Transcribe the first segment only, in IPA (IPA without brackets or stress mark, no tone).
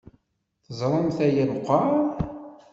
θ